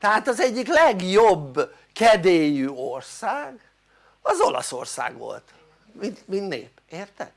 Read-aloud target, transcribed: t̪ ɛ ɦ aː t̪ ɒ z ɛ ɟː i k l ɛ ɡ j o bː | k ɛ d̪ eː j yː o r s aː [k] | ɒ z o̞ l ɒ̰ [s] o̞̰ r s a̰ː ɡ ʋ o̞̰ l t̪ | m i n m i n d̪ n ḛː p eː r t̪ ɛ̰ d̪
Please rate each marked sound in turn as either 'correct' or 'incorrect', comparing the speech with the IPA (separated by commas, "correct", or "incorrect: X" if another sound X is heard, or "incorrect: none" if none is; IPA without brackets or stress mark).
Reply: incorrect: ɡ, correct